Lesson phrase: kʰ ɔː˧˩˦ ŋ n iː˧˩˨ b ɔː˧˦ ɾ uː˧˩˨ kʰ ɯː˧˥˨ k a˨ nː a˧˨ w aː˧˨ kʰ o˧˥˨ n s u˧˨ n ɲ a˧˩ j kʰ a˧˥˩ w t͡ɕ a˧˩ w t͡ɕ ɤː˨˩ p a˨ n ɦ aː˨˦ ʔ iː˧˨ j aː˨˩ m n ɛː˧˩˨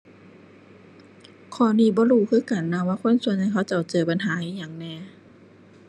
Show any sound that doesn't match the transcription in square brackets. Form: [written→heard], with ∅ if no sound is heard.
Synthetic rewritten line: kʰ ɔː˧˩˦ [ŋ→∅] n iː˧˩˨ b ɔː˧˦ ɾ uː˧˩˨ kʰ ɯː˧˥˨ k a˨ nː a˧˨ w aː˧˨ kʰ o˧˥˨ n s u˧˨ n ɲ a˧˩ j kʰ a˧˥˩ w t͡ɕ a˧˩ w t͡ɕ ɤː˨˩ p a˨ n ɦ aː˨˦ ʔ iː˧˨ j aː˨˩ [m→ŋ] n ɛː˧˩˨